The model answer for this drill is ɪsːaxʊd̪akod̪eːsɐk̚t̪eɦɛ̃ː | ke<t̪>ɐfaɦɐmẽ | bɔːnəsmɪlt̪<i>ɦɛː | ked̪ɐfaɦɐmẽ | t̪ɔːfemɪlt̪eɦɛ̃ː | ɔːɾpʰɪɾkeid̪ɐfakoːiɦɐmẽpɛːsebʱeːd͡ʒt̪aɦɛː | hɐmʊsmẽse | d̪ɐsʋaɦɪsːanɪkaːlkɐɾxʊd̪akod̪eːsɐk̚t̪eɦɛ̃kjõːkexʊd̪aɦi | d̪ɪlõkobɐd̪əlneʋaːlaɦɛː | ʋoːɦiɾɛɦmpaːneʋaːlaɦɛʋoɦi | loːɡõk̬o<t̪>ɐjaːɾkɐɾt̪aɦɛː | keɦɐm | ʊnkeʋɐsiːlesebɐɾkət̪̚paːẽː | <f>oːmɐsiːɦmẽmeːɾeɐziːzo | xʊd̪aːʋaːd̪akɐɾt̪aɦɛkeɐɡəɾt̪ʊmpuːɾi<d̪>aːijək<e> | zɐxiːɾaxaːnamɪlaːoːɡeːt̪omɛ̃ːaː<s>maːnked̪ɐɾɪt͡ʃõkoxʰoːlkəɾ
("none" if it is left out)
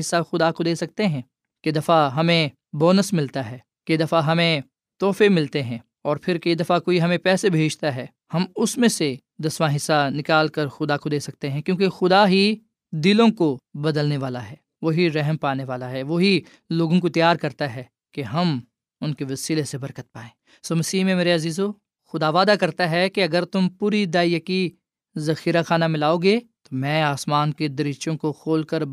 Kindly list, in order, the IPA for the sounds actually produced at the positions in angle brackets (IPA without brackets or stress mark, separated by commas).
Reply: d̪, a, t̪, s, d̪, i, s